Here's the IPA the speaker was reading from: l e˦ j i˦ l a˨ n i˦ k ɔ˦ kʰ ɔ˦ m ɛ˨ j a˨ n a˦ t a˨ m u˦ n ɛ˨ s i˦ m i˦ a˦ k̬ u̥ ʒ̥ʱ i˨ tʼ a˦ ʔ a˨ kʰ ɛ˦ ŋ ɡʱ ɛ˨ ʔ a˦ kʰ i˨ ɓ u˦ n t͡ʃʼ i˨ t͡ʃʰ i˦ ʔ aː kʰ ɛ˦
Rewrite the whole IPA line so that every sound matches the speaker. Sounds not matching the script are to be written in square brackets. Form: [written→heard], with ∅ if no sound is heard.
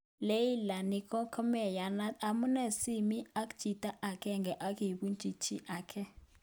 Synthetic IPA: l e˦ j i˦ l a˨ n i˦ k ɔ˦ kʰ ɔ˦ m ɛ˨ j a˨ n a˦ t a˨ m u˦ n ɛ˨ s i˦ m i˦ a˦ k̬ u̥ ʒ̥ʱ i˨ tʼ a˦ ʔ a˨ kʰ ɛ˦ ŋ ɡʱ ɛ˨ ʔ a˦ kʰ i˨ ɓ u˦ n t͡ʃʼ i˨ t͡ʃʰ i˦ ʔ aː kʰ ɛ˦